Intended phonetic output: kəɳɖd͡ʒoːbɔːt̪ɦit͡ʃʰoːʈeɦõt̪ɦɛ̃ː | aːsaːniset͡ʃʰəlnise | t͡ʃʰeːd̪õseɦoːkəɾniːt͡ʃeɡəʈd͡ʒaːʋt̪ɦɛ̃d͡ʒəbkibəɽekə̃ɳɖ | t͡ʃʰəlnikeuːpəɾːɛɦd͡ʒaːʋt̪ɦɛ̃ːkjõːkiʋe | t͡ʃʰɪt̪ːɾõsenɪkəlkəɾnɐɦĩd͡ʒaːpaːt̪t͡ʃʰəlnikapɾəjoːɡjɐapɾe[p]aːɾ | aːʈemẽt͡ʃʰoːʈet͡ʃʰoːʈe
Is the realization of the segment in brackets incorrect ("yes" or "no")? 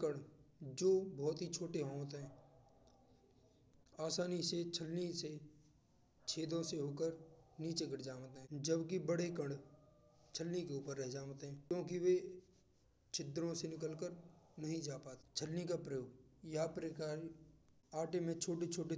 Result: yes